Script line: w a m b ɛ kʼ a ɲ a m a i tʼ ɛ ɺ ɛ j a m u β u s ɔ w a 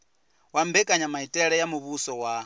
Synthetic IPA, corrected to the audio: w a m b ɛ kʼ a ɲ a m a i tʼ ɛ ɺ ɛ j a m u β u s ɔ w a